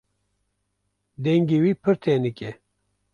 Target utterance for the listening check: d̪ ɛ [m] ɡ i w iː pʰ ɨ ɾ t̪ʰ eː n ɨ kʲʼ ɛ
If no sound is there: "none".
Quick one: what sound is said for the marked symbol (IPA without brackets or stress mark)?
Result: ŋ